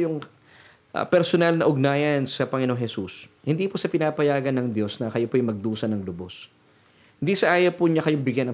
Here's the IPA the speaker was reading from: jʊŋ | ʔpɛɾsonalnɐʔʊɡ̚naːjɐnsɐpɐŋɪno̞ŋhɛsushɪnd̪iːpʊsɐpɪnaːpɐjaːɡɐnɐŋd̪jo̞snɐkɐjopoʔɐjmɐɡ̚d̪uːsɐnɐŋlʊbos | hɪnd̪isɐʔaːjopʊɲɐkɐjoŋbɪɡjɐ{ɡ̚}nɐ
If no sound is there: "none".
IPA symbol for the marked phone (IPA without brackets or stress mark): none